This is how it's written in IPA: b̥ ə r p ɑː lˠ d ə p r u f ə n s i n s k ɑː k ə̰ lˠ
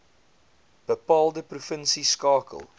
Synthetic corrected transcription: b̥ ə p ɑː lˠ d ə p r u f ə n s i s k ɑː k ə̰ lˠ